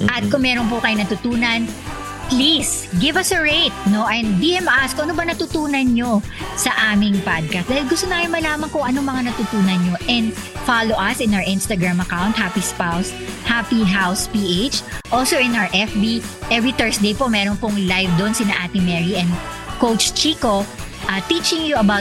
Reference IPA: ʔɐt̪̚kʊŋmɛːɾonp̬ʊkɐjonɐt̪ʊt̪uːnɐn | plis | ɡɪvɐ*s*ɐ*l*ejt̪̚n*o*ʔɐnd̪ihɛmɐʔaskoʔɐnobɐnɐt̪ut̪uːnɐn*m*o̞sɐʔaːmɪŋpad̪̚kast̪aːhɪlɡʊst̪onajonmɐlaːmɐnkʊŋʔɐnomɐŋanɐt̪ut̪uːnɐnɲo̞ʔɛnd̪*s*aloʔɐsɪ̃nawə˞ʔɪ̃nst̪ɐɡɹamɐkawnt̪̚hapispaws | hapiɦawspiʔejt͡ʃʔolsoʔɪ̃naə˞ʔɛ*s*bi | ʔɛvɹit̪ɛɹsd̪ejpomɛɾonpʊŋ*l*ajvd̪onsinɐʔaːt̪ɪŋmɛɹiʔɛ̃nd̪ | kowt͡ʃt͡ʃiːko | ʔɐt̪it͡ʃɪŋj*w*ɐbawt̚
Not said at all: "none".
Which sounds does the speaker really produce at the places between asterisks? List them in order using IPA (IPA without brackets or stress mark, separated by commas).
s, ɹ, o, ɲ, f, f, l, u